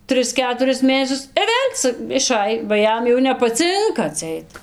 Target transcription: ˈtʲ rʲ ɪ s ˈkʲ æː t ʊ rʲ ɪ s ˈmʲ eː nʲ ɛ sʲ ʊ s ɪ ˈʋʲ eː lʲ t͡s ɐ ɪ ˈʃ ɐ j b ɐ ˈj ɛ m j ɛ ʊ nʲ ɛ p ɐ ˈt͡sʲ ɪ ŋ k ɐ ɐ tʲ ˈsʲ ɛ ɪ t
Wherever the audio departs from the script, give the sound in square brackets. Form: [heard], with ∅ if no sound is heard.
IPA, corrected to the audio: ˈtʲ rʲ ɪ s ˈkʲ æː t ʊ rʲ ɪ s ˈmʲ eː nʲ ɛ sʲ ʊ s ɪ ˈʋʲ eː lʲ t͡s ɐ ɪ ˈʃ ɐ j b ɐ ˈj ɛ m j ɛ ʊ nʲ ɛ p ɐ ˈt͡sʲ ɪ ŋ k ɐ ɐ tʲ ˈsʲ ɛ ɪ t